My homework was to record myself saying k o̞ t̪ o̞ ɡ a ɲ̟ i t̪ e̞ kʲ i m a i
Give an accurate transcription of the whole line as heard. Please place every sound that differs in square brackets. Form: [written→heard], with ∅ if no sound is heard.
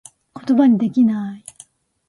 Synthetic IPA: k o̞ t̪ o̞ [ɡ→b] a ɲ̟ i [t̪→d̪] e̞ kʲ i [m→n] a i